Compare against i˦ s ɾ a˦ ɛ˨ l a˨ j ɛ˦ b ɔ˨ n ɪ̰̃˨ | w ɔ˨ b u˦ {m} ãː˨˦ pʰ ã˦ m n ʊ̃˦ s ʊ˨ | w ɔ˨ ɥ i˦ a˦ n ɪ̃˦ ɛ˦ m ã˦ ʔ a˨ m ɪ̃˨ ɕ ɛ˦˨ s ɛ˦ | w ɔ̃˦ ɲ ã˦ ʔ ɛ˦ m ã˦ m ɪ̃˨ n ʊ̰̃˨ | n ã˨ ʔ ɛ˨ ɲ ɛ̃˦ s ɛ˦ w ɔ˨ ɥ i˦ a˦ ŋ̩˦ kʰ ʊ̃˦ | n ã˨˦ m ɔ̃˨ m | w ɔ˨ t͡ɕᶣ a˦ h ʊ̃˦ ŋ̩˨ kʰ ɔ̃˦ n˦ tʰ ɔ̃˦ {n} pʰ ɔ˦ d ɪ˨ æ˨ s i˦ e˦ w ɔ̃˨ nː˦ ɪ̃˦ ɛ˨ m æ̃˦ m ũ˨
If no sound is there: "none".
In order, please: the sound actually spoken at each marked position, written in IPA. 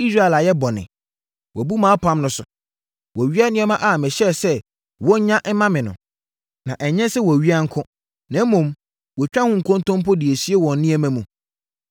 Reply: m, m

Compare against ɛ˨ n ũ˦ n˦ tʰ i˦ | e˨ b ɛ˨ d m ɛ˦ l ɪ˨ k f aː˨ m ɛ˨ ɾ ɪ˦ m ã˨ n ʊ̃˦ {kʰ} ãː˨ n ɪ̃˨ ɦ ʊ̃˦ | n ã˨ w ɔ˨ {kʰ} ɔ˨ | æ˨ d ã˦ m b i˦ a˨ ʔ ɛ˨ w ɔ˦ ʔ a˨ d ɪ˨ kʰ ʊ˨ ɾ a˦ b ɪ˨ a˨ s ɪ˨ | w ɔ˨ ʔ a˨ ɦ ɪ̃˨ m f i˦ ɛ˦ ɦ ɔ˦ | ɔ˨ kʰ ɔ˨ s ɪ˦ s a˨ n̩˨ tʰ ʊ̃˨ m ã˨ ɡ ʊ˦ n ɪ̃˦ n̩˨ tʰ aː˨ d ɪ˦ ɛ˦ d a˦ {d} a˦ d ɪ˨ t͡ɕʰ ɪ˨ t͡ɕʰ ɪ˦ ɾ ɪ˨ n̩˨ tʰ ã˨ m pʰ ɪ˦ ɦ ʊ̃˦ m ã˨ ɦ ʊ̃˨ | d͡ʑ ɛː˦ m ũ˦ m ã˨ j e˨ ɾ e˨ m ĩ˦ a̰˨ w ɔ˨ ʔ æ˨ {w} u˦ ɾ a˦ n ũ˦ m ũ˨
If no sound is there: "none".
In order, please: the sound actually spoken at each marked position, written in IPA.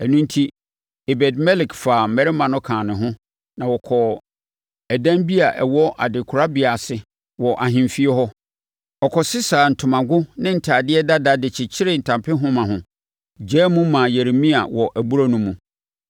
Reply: kʰ, kʰ, d, b

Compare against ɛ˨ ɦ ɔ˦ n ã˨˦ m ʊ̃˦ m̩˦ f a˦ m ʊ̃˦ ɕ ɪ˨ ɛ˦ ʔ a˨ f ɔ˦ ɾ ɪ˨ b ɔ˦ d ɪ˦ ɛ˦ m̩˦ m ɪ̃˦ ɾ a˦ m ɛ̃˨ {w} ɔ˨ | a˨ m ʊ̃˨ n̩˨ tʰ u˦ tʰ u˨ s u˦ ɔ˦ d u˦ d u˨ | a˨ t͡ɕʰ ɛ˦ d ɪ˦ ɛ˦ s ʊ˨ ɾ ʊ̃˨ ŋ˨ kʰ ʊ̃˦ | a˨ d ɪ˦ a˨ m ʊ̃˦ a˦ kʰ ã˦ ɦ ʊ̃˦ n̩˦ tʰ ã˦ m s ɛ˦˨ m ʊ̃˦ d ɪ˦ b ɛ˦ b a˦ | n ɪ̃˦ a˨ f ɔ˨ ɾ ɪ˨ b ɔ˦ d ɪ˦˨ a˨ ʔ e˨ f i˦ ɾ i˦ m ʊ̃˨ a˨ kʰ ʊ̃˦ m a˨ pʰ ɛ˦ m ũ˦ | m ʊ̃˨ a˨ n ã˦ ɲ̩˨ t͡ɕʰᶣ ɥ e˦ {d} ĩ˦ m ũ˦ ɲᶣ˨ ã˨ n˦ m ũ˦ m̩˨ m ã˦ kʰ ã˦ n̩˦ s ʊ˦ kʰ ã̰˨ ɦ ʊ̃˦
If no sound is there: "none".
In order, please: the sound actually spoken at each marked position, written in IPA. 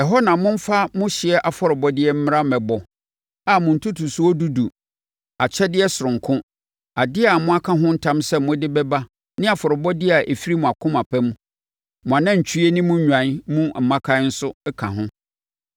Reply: b, n

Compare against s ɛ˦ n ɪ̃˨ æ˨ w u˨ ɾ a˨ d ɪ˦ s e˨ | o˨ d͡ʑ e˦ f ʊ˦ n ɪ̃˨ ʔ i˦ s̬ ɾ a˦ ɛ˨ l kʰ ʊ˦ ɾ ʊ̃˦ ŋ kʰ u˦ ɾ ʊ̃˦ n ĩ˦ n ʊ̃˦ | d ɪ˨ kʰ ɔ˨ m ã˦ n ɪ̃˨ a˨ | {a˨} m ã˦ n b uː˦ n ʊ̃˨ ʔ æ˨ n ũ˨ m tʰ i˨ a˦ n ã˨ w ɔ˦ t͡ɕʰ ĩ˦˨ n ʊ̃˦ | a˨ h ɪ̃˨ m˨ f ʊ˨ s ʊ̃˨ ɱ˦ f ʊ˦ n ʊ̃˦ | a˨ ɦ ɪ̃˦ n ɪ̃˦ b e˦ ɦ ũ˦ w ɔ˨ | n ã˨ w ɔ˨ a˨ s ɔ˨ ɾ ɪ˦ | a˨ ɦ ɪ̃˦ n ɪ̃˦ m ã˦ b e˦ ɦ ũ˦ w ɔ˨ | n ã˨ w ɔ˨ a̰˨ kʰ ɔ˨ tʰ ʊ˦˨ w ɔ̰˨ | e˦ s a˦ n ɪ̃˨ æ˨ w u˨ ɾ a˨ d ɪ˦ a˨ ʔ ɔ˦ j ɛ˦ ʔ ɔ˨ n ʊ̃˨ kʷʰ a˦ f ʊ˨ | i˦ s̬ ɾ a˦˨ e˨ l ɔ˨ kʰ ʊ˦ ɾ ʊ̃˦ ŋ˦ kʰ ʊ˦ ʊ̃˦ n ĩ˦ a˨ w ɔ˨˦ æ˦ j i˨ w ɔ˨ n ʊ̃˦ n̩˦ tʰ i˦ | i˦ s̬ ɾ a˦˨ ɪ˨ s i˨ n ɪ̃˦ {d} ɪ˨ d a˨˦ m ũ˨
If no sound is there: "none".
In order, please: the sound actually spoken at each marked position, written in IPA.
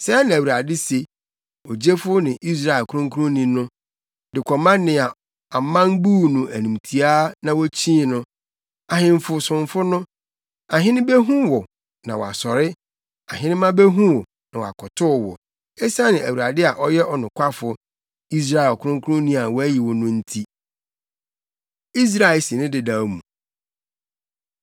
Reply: a˨, d

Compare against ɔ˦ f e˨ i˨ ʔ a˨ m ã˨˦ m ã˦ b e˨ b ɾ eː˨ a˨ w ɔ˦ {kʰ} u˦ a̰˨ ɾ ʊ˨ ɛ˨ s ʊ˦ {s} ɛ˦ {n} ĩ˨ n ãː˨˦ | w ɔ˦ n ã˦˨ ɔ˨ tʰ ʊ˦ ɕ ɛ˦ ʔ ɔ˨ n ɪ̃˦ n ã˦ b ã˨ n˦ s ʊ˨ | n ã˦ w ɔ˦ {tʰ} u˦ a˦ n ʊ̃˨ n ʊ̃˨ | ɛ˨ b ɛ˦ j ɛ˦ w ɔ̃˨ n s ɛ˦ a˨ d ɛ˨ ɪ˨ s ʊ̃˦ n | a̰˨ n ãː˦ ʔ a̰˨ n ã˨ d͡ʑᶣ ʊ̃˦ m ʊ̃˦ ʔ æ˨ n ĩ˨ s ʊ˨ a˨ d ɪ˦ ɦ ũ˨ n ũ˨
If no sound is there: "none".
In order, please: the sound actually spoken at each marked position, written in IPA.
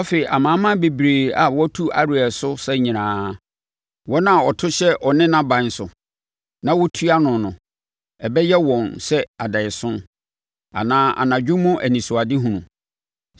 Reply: tʰ, s, ɲ, tʰ

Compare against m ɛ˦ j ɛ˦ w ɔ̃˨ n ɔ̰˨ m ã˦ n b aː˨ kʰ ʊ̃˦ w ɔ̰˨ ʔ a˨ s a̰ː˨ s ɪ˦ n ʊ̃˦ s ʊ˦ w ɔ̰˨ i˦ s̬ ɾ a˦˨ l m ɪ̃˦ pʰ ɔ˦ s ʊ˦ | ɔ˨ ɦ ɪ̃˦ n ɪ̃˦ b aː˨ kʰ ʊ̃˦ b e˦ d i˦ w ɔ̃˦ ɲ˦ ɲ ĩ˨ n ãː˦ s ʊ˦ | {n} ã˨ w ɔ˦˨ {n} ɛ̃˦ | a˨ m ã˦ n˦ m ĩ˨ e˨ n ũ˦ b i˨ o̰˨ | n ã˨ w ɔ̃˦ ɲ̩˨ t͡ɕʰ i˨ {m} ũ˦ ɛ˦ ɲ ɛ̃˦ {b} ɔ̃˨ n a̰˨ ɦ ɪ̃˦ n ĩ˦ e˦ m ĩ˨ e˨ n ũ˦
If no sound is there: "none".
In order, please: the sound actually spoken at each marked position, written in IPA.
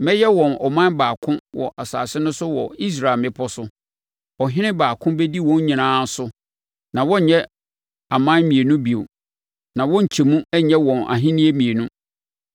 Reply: n, ɲ, m, w

